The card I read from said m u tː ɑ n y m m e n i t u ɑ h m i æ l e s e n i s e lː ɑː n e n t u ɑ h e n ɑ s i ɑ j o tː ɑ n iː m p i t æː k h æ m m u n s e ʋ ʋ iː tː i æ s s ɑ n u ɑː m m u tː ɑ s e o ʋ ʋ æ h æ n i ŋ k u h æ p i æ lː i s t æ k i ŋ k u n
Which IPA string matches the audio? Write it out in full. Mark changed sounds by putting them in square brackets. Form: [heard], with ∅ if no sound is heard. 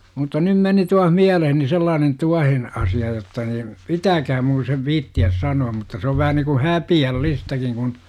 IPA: m u tː ɑ n y m m e n i t u ɑ h m i æ l e [h] e n i s e lː ɑː n e n t u ɑ h e n ɑ s i ɑ j o tː ɑ n iː m p i t æː k h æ m m u n s e ʋ ʋ iː tː i æ s s ɑ n u [ɑ] m m u tː ɑ s e o ʋ ʋ æ h æ n i ŋ k u h æ p i æ lː i s t æ k i ŋ k u n